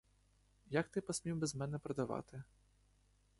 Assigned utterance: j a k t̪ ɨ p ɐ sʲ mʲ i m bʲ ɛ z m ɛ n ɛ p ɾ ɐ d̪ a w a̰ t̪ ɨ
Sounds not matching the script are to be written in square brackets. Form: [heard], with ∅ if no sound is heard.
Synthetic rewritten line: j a k t̪ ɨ p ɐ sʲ mʲ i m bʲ ɛ z m ɛ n ɛ p ɾ ɐ d̪ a [v] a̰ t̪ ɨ